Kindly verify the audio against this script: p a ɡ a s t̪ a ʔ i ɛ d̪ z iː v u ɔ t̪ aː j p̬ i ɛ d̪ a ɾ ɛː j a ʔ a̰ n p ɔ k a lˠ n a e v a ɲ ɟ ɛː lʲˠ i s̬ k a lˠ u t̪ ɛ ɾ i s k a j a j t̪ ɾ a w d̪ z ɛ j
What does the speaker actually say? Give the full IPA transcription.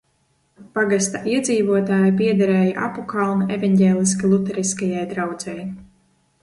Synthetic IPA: p a ɡ a s t̪ a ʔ i ɛ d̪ z iː v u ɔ t̪ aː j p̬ i ɛ d̪ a ɾ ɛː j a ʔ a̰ p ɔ k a lˠ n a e v a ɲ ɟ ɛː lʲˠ i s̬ k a lˠ u t̪ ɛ ɾ i s k a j a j d̪ ɾ a w d̪ z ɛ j